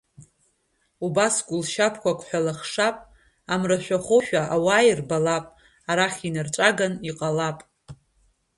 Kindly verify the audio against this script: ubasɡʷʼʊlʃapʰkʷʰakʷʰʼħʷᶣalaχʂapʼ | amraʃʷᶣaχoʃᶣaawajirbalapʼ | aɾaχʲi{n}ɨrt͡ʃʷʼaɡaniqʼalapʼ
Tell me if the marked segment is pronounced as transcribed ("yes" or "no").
yes